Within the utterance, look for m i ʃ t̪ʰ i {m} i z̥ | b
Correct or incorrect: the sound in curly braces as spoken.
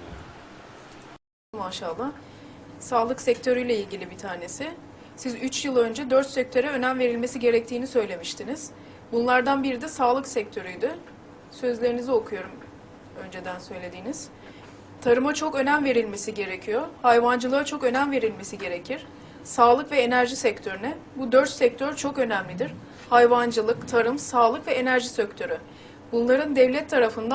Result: incorrect: n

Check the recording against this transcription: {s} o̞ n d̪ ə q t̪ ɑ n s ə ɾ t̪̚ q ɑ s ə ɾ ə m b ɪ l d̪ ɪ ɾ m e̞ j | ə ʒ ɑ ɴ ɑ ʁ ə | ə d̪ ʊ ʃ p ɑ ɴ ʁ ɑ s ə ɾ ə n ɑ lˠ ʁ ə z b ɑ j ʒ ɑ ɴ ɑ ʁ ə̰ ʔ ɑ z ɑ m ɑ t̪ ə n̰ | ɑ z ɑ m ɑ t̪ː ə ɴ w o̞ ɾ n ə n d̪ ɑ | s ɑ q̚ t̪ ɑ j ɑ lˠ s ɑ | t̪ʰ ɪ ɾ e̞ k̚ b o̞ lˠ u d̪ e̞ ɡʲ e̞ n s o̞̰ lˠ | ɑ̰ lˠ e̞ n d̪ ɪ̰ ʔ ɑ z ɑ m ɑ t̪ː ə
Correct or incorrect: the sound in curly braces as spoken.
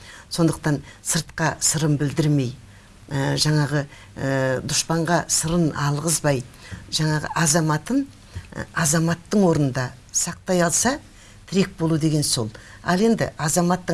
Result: correct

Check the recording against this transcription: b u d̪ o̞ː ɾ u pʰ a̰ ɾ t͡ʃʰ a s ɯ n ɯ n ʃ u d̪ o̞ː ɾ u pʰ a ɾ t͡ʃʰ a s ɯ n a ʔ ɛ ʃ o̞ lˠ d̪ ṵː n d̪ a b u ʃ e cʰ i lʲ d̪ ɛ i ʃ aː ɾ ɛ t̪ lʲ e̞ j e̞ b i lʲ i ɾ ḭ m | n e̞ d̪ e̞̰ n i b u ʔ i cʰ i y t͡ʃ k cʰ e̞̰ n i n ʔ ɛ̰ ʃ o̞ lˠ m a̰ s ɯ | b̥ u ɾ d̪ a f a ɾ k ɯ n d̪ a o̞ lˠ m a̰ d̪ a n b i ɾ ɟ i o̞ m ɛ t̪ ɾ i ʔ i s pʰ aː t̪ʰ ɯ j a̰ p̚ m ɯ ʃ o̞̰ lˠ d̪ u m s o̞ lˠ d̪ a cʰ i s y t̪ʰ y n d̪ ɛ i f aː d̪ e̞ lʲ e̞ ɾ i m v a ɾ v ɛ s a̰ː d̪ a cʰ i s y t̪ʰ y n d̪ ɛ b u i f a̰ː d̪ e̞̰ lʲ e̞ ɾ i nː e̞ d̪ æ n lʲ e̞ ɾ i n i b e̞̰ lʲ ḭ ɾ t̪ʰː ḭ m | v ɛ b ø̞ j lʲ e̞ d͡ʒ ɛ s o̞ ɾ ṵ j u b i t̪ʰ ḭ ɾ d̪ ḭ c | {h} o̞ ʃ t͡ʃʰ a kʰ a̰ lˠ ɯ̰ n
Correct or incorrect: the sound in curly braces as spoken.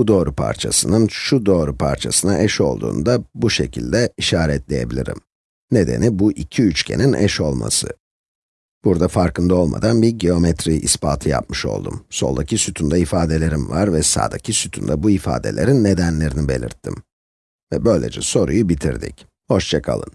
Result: correct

